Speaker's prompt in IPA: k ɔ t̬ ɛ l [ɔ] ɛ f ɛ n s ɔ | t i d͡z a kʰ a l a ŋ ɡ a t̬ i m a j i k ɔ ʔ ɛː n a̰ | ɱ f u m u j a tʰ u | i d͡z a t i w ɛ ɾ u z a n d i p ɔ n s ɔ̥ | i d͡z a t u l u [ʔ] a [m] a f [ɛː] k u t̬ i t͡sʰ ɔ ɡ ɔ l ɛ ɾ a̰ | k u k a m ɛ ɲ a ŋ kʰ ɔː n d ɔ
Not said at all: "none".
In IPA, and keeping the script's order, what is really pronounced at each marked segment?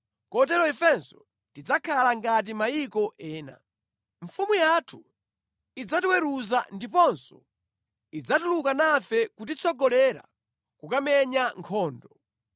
ɔ, k, n, ɛ

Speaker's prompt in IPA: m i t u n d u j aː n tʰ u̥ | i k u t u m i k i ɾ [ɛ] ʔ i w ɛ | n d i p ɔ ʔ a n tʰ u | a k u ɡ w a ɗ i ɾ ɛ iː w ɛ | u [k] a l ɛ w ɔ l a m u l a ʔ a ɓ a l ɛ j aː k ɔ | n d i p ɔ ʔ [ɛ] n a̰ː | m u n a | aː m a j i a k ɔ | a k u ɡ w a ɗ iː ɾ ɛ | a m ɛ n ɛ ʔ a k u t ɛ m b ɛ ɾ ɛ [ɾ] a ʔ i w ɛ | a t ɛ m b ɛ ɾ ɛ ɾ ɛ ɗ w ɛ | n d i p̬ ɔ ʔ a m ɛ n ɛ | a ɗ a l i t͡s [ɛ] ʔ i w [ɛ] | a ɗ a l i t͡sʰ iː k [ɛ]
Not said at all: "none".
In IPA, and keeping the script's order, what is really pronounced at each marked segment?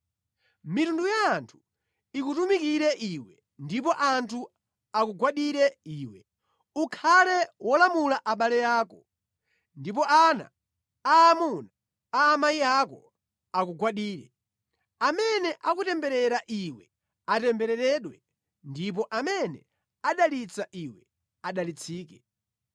ɛ, kʰ, a, ɾ, a, ɛ, ɛ

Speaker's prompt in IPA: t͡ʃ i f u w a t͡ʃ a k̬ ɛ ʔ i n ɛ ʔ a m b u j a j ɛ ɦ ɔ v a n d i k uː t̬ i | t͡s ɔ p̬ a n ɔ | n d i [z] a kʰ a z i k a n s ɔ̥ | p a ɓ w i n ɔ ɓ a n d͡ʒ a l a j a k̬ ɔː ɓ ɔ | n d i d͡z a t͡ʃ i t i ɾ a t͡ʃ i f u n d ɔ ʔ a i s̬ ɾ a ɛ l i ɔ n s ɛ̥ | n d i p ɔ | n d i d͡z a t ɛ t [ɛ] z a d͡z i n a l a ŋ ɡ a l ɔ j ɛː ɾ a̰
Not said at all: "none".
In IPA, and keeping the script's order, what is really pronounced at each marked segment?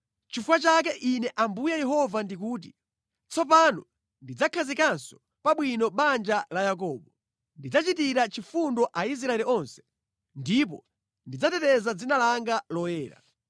d͡z, ɛ

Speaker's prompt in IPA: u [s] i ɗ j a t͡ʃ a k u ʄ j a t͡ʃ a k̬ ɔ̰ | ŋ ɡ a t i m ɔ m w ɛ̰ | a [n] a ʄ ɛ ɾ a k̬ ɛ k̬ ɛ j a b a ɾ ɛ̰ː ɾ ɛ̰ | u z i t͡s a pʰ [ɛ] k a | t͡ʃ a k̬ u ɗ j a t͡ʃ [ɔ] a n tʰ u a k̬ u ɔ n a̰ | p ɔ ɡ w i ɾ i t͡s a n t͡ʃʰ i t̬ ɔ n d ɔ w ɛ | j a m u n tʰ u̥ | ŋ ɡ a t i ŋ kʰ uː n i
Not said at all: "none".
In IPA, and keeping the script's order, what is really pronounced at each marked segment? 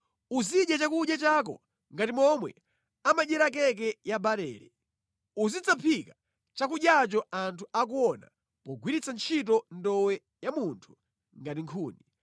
z, m, i, ɔ

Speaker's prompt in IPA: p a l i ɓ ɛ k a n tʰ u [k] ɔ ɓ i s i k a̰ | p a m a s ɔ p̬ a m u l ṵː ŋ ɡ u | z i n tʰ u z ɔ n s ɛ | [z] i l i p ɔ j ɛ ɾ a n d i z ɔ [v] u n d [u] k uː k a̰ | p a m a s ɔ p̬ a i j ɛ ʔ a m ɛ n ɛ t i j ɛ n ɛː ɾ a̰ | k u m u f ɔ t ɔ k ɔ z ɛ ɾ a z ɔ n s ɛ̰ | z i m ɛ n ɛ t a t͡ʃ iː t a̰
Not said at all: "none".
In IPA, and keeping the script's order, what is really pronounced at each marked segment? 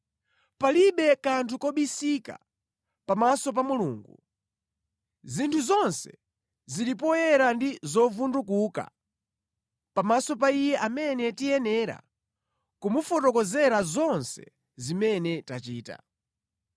k, z, v, u

